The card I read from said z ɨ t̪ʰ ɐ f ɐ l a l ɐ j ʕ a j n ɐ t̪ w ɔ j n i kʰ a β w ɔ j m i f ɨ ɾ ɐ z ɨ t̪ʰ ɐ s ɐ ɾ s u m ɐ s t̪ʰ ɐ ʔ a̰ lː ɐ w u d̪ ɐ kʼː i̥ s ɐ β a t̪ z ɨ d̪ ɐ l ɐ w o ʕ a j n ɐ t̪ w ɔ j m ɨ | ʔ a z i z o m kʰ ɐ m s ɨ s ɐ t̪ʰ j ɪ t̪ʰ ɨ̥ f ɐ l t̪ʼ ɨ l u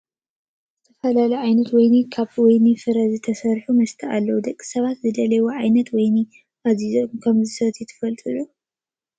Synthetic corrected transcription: z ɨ t̪ʰ ɐ f ɐ l a l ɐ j ʕ a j n ɐ t̪ w ɔ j n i kʰ a β w ɔ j n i f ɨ ɾ ɐ z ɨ t̪ʰ ɐ s ɐ ɾ ħ u m ɐ s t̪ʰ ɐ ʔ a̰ lː ɐ w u d̪ ɐ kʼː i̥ s ɐ β a t̪ z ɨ d̪ ɐ l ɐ w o ʕ a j n ɐ t̪ w ɔ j n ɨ | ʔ a z i z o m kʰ ɐ m z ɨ s ɐ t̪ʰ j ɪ t̪ʰ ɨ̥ f ɐ l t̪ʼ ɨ l u